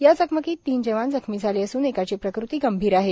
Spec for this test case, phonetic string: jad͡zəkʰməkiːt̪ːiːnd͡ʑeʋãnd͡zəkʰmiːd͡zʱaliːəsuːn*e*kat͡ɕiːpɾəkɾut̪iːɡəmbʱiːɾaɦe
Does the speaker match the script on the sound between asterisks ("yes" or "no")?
yes